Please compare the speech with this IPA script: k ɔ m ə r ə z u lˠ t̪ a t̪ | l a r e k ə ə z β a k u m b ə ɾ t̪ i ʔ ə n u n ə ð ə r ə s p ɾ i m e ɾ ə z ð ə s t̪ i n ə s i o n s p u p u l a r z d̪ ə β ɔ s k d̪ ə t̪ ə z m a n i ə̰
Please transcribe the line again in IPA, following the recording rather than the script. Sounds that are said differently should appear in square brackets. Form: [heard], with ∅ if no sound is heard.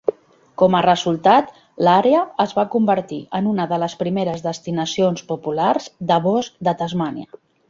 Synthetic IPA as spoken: k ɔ m ə r ə z u lˠ t̪ a t̪ | l a [ɾ] e [∅] ə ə z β a k u m b ə ɾ t̪ i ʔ ə n u n ə ð ə [l] ə s p ɾ i m e ɾ ə z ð ə s t̪ i n ə s i o n s p u p u l a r z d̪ ə β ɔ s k d̪ ə t̪ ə z m a n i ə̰